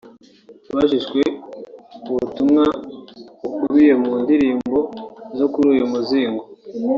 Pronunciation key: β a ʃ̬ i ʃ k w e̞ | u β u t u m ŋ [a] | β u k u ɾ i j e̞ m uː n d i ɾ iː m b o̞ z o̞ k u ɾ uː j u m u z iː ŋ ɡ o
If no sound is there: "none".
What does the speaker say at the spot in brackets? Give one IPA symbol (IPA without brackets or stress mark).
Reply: a